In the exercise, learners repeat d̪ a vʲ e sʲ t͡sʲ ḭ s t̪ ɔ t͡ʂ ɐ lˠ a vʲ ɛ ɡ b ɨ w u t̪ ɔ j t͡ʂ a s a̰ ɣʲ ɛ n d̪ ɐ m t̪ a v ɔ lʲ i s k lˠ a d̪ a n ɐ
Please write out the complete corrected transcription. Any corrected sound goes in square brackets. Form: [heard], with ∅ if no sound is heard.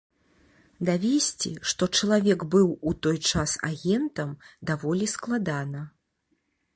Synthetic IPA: d̪ a vʲ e sʲ t͡sʲ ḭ [ʂ] t̪ ɔ t͡ʂ ɐ lˠ a vʲ ɛ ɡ b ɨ w u t̪ ɔ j t͡ʂ a s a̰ ɣʲ ɛ n [t̪] ɐ m [d̪] a v ɔ lʲ i s k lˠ a d̪ a n ɐ